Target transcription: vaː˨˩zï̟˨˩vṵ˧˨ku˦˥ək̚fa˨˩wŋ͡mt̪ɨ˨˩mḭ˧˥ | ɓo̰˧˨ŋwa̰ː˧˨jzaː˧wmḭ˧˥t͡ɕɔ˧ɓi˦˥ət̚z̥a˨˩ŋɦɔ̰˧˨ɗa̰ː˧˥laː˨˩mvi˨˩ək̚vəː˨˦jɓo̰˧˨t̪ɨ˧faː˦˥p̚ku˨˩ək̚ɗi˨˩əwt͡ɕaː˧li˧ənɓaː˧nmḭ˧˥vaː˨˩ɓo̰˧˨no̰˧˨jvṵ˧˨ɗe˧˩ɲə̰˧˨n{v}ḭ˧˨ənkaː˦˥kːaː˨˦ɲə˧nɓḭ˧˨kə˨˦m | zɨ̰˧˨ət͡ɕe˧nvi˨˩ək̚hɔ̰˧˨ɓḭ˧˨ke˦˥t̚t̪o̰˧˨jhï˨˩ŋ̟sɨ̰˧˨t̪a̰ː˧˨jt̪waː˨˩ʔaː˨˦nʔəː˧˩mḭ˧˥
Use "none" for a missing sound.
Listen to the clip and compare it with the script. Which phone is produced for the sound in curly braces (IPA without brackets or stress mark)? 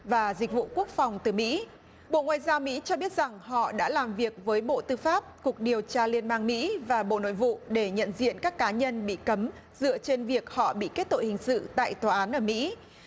z